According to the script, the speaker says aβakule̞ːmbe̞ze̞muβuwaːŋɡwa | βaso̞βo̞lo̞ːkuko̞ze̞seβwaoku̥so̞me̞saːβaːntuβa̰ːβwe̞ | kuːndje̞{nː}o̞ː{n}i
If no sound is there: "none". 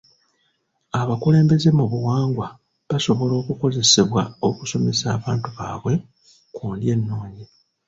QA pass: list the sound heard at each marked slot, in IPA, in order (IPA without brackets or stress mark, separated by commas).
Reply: nː, ɲ